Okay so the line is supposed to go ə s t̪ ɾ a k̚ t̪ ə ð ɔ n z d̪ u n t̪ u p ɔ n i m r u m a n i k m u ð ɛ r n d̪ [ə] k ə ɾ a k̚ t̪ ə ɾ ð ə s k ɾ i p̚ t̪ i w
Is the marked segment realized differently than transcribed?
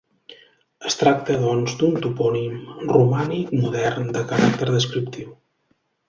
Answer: no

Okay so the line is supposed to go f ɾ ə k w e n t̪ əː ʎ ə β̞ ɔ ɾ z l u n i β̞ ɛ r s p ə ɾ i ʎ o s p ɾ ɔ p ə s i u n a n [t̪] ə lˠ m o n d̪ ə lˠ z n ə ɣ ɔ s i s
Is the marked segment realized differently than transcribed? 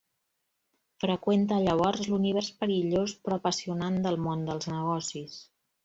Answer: yes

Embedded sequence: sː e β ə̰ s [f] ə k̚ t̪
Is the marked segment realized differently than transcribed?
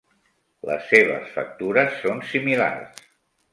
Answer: no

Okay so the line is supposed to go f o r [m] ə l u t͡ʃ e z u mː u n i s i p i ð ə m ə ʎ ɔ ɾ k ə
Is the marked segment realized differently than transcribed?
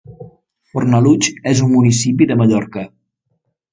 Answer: yes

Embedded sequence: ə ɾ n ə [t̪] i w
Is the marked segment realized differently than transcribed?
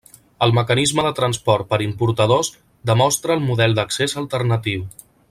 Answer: no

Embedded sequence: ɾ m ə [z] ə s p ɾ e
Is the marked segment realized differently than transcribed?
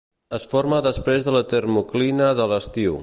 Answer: yes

